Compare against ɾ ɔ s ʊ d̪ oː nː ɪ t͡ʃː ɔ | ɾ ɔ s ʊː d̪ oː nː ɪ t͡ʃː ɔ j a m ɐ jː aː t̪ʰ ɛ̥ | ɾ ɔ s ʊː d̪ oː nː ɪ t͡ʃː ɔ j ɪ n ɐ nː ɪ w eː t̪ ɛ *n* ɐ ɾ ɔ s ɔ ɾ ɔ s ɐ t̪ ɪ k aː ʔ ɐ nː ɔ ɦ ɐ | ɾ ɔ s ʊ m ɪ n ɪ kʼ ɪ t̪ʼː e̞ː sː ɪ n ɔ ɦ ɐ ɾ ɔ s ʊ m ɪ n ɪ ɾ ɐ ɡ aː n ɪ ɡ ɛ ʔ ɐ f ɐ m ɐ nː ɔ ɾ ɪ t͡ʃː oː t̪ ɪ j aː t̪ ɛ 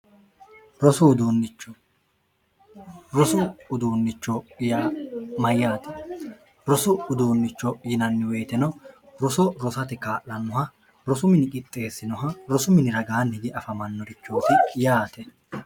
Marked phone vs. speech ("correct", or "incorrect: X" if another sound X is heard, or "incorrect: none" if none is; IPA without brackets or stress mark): correct